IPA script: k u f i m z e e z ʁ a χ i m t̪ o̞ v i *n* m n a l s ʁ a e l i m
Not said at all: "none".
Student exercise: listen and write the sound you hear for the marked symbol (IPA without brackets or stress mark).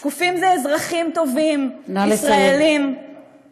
none